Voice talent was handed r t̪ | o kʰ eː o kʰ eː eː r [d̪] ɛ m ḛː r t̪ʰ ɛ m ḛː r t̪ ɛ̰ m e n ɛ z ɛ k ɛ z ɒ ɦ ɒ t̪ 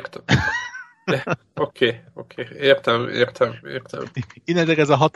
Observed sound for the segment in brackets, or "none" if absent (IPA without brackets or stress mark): t̪